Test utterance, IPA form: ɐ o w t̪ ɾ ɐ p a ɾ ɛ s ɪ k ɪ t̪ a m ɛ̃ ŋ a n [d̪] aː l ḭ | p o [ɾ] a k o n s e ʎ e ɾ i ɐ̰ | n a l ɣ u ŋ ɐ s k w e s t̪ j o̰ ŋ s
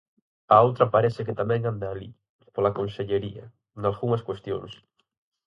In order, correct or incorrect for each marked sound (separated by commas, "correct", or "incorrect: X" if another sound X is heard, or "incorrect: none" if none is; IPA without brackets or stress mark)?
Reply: correct, incorrect: l